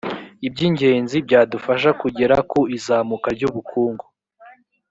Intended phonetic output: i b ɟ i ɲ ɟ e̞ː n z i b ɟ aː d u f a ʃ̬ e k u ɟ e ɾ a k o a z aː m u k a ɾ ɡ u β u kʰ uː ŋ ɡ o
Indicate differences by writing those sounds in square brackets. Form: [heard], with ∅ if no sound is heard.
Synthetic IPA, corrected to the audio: i b ɟ i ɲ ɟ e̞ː n z i b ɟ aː d u f a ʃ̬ [a] k u ɟ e ɾ a k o [i] z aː m u k a ɾ [ɟ] u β u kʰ uː ŋ ɡ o